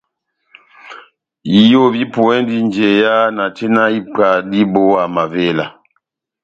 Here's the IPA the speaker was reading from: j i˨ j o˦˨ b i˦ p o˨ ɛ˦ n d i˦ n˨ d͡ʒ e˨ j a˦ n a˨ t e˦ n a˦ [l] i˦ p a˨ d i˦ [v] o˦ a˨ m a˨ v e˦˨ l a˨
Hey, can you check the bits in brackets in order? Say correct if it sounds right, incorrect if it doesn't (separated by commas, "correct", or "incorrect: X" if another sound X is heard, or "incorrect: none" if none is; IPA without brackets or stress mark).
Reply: incorrect: none, incorrect: b